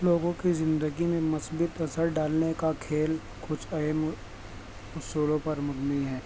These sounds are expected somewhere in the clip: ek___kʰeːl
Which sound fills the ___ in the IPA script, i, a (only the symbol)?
a